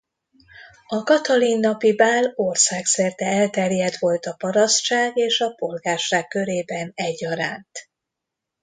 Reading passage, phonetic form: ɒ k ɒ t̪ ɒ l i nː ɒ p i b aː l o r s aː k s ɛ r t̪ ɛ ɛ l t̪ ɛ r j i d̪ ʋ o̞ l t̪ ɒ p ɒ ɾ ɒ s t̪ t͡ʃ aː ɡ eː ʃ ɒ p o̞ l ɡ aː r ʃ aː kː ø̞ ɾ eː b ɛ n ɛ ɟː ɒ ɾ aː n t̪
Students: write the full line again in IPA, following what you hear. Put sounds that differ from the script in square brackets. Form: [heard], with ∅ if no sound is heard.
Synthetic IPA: ɒ k ɒ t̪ ɒ l i nː ɒ p i b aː l o r s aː k s ɛ r t̪ ɛ ɛ l t̪ ɛ r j [ɛ] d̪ ʋ o̞ l t̪ ɒ p ɒ ɾ ɒ s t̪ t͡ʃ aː ɡ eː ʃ ɒ p o̞ l ɡ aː r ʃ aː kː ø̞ ɾ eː b ɛ n ɛ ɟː ɒ ɾ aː n t̪